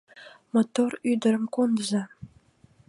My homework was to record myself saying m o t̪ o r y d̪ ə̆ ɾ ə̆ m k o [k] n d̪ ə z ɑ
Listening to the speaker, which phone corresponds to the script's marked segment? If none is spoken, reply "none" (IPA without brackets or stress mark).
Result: none